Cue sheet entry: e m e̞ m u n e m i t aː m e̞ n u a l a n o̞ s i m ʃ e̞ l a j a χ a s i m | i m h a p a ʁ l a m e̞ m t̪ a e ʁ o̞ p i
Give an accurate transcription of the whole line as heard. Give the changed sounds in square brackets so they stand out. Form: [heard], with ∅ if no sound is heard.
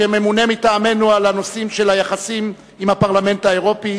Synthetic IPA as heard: e m e̞ m u n e m i t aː m e̞ n u a l a n o̞ s i m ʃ e̞ l a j a χ a s i m | i m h a p a ʁ l a m e̞ [n] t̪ a e ʁ o̞ p i